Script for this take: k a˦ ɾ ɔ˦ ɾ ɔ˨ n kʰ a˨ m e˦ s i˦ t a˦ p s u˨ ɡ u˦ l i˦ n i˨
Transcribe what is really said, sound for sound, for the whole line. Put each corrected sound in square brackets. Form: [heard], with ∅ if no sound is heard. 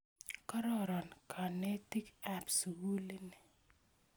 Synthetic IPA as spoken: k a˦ ɾ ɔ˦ ɾ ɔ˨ n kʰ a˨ [n] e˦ [t] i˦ [k] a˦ p s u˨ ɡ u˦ l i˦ n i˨